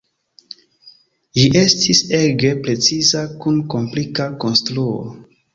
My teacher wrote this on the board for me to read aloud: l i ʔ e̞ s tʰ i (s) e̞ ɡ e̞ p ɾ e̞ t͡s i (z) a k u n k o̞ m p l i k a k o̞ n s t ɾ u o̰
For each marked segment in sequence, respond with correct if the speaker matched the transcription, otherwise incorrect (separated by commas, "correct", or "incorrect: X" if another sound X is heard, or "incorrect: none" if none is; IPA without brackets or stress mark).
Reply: correct, correct